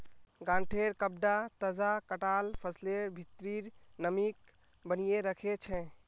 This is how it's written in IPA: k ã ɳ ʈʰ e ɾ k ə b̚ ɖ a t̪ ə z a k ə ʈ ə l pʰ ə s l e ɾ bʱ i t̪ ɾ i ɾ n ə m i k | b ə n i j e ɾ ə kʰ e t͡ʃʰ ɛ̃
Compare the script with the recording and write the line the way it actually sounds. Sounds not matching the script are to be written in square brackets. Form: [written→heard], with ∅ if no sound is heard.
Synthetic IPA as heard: [k→ɡ] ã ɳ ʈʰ e ɾ k ə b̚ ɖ a t̪ ə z a k ə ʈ [ə→a] l pʰ ə s l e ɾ bʱ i t̪ ɾ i ɾ n ə m i k | b ə n i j e ɾ ə kʰ e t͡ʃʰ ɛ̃